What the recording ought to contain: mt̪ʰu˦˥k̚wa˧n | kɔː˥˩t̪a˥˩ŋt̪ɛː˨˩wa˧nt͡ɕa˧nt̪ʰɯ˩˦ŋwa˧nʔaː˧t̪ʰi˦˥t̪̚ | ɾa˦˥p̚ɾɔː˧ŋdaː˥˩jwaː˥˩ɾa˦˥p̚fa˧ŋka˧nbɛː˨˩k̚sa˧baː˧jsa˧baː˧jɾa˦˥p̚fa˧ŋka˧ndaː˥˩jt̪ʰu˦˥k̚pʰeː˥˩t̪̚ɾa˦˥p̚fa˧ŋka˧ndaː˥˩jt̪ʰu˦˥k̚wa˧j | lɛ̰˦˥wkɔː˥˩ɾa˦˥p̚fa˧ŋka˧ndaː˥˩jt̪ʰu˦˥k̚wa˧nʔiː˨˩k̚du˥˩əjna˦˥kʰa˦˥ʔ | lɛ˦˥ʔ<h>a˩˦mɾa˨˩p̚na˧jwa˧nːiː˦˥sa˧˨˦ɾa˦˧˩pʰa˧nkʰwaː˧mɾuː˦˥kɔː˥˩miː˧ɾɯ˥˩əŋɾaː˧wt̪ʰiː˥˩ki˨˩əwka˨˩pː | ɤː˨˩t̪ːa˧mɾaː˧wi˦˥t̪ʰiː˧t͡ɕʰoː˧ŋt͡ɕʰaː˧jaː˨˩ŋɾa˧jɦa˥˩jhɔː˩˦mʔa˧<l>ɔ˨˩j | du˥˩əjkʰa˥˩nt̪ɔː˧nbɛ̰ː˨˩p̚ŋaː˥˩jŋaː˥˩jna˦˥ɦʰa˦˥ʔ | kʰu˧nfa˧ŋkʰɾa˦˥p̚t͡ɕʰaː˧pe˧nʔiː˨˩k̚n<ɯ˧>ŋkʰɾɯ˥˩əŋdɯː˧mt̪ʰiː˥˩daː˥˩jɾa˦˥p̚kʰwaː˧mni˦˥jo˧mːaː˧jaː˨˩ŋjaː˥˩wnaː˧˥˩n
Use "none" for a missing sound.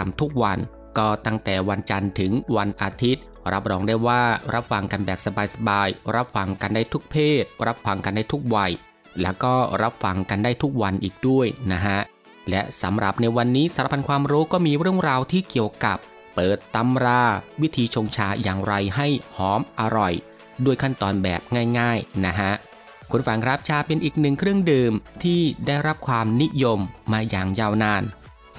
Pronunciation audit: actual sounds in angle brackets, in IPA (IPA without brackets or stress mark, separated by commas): s, ɾ, ɯ˨˩